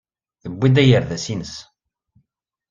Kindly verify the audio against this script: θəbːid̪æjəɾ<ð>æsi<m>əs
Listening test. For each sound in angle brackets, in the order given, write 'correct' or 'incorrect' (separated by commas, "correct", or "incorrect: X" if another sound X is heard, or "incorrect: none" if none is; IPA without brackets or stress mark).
correct, incorrect: n